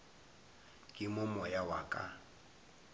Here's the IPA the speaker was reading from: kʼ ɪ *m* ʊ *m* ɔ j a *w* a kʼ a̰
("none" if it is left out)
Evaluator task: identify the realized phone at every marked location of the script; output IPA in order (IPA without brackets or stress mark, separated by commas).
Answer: m, m, w